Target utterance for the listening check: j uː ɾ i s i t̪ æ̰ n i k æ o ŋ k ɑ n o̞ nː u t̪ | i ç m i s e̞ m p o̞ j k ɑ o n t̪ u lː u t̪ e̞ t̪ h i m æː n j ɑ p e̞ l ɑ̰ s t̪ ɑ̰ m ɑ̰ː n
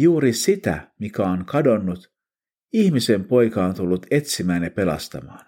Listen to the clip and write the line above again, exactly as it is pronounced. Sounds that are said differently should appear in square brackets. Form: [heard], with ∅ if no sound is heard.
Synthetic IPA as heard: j uː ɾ i s i t̪ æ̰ [m] i k æ o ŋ k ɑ [d] o̞ nː u t̪ | i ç m i s e̞ m p o̞ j k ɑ o n t̪ u lː u t̪ e̞ t̪ [s] i m æː n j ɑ p e̞ l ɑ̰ s t̪ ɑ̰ m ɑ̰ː n